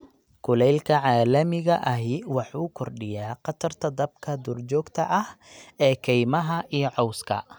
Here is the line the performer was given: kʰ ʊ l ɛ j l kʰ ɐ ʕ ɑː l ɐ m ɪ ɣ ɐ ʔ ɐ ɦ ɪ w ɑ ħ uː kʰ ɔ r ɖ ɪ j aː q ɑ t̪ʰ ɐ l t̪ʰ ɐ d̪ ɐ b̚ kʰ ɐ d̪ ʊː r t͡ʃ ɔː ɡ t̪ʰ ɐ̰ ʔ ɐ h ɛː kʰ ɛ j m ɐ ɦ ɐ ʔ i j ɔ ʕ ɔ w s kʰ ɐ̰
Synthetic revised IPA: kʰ ʊ l ɛ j l kʰ ɐ ʕ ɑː l ɐ m ɪ ɣ ɐ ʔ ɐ ɦ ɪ w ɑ ħ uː kʰ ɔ r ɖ ɪ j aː q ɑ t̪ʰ ɐ r t̪ʰ ɐ d̪ ɐ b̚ kʰ ɐ d̪ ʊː r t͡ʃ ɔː ɡ t̪ʰ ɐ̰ ʔ ɐ h ɛː kʰ ɛ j m ɐ ɦ ɐ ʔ i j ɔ ʕ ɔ w s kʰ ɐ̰